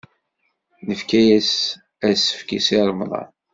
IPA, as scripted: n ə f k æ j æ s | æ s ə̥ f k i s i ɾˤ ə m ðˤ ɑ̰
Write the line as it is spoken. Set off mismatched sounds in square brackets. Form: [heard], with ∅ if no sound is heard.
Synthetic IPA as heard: n ə f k æ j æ s | æ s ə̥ f k i s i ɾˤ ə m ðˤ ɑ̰

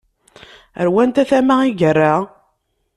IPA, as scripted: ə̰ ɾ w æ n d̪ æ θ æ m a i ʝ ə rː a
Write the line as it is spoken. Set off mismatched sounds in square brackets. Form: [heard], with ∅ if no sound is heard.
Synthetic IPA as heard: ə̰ ɾ w æ n [t̪] æ θ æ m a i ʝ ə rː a

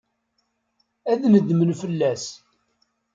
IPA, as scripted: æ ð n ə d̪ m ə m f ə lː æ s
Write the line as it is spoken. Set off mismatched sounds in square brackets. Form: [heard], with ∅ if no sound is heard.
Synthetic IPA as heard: æ ð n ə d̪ m ə [n] f ə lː æ s

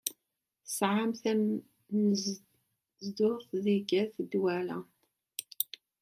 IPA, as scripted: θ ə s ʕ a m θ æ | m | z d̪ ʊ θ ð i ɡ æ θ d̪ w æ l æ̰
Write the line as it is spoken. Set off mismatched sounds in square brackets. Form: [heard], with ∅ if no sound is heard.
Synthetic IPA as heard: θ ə s ʕ a m θ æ | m | z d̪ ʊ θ ð i ɡ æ θ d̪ w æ l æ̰

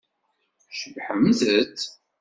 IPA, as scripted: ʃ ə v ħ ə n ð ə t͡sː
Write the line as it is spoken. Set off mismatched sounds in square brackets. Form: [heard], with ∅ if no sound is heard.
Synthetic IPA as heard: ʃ ə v ħ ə [m] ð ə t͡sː

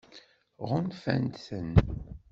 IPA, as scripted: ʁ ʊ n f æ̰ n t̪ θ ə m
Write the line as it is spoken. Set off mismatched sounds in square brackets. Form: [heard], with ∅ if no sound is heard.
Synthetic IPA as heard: ʁ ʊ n f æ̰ n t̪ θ ə [n]

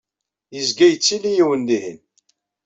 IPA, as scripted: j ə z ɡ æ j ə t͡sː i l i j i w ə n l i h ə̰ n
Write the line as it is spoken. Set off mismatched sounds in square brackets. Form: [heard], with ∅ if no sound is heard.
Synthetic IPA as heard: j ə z ɡ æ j ə t͡sː i l i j i w ə n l i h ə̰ n

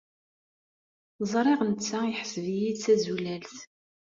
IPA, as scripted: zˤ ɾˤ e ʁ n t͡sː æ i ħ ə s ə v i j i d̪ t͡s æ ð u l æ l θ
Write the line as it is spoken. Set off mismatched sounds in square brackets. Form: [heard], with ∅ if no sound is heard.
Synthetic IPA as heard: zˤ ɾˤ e ʁ n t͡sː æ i ħ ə s ə v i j i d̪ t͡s æ [z] u l æ l θ

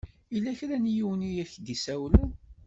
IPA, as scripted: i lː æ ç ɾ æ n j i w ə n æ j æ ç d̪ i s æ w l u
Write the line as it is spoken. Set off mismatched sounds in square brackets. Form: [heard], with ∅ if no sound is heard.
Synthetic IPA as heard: i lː æ ç ɾ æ n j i w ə n [i] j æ ç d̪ i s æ w l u

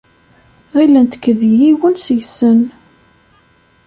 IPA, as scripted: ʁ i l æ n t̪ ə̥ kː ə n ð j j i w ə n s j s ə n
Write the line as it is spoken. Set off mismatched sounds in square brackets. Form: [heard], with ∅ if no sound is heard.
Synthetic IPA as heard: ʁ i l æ n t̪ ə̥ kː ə [∅] ð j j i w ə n s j s ə n

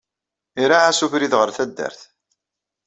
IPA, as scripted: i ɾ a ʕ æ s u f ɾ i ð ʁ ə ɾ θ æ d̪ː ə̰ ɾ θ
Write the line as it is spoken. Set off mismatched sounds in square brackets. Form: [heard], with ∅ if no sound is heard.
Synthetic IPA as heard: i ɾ a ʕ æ s u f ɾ i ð ʁ ə ɾ θ æ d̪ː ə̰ ɾ θ

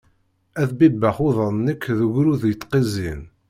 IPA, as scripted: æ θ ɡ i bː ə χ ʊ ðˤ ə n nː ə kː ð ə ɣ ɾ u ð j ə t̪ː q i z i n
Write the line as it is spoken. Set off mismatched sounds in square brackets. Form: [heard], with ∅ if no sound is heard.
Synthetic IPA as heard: æ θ [b] i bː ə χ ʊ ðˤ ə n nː ə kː ð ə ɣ ɾ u ð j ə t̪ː q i z i n

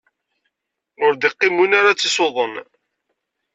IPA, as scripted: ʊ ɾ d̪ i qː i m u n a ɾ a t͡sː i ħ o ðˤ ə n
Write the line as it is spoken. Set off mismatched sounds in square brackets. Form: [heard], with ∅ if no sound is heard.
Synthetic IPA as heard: ʊ ɾ d̪ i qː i m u n a ɾ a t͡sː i [s] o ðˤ ə n

